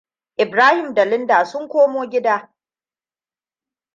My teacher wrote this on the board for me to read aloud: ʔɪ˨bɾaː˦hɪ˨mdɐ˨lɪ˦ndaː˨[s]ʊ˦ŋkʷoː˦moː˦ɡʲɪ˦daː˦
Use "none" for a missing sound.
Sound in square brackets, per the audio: s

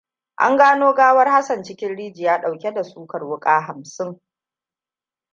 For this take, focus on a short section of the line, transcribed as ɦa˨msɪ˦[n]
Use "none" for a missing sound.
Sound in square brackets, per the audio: ŋ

